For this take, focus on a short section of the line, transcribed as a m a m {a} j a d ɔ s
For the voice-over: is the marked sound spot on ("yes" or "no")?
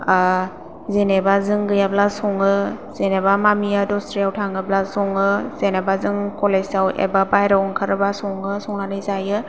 no